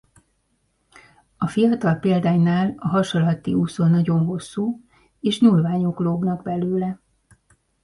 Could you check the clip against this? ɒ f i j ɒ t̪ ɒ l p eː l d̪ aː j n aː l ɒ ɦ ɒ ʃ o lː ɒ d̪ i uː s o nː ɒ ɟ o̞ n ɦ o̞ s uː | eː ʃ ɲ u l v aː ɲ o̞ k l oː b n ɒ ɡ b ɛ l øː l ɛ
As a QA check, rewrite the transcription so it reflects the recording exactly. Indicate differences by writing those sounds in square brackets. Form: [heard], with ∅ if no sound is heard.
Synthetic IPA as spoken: ɒ f i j ɒ t̪ ɒ l p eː l d̪ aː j n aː l ɒ ɦ ɒ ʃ o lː ɒ [t̪] i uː s o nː ɒ ɟ o̞ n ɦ o̞ [sː] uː | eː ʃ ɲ u l v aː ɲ o̞ k l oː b n ɒ ɡ b ɛ l øː l ɛ